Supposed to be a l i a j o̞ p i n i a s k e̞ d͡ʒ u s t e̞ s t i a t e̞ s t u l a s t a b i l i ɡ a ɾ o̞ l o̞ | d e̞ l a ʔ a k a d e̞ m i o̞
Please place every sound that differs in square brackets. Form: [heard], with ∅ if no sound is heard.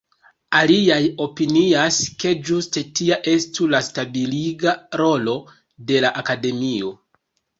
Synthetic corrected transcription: a l i a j o̞ p i n i a s k e̞ d͡ʒ u s t e̞ [∅] t i a [ʔ] e̞ s t u l a s t a b i l i ɡ a ɾ o̞ l o̞ | d e̞ l a ʔ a k a d e̞ m i o̞